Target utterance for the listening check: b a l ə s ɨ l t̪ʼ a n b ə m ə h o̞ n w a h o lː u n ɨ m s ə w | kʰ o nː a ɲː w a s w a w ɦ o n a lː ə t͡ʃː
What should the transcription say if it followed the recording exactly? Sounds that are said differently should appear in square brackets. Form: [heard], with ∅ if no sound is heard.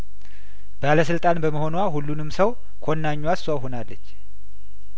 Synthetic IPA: b a l ə s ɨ l t̪ʼ a n b ə m ə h o̞ n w a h [u] lː u n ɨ m s ə w | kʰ o nː a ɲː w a s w a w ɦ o n a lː ə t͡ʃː